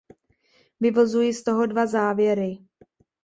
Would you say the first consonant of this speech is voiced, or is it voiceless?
voiced